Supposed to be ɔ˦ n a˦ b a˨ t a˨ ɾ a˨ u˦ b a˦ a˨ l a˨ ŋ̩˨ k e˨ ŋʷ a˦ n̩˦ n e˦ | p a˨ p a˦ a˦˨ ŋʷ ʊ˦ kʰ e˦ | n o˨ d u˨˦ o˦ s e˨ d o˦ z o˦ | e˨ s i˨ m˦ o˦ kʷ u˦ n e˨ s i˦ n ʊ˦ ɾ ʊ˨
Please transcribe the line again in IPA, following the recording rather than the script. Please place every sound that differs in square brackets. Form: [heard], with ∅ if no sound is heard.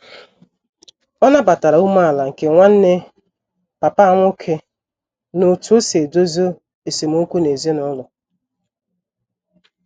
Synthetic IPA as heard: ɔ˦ n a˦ b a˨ t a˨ ɾ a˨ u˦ [m] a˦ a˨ l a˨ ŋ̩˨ k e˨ ŋʷ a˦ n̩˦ n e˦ | p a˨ p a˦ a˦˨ ŋʷ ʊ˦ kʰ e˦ | n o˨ [t] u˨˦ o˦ s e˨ d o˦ z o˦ | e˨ s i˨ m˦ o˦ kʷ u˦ n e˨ [z] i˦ n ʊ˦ [l] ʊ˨